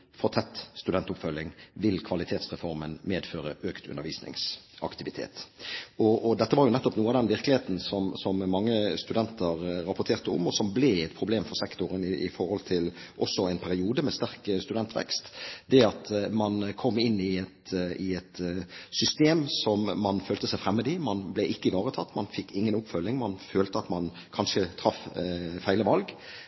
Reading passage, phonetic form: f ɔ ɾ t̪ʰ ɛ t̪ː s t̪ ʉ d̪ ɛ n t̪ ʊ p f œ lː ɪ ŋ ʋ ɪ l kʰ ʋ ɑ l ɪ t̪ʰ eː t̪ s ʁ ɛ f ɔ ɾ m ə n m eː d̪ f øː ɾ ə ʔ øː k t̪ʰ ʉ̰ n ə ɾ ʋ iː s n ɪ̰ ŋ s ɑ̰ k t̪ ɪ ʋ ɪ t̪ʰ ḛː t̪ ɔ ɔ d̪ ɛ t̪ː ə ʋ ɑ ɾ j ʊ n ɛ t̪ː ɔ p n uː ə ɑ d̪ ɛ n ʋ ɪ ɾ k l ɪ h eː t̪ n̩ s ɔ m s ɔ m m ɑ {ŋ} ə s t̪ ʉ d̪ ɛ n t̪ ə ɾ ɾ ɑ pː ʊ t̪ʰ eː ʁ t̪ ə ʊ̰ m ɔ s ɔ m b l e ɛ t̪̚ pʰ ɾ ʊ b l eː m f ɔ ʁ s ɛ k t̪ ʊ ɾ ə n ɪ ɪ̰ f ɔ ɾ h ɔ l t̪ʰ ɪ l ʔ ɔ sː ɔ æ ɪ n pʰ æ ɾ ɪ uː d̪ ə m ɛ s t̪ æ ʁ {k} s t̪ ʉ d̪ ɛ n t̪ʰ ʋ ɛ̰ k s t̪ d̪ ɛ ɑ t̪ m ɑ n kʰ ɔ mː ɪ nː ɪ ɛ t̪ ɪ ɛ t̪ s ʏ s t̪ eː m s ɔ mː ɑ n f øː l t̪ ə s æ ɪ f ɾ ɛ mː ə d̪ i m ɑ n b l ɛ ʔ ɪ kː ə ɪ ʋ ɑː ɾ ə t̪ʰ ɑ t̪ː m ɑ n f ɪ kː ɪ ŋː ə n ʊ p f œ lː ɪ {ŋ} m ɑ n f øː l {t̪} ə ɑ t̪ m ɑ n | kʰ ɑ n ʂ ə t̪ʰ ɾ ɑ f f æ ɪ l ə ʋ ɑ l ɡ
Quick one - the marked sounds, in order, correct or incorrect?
incorrect, correct, correct, correct

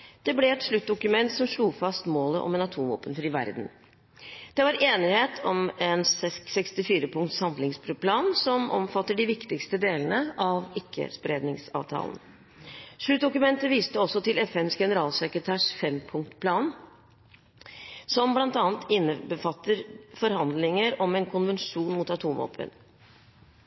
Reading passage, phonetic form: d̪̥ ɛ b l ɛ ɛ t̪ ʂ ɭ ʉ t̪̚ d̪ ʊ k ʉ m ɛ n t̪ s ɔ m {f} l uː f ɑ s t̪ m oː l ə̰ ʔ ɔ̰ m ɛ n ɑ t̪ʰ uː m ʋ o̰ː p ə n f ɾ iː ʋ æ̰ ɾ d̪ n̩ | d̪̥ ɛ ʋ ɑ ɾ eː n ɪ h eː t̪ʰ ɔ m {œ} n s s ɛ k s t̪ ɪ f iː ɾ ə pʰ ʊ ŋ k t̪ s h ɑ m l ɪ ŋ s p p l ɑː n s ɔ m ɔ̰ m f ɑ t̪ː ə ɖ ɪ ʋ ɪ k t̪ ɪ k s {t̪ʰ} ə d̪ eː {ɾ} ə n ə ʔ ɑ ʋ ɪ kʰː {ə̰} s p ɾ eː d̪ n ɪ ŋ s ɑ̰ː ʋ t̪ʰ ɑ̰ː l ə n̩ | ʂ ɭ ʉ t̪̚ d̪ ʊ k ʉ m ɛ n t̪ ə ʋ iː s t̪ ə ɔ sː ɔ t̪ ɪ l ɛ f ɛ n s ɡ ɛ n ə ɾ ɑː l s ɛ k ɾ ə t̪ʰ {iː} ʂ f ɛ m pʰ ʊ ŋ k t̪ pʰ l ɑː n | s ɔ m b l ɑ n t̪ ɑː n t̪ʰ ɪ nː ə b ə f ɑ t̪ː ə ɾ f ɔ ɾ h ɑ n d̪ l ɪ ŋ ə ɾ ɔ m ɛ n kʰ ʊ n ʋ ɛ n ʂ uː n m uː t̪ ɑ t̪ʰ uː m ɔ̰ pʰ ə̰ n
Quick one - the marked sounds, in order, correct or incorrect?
incorrect, incorrect, incorrect, incorrect, correct, incorrect

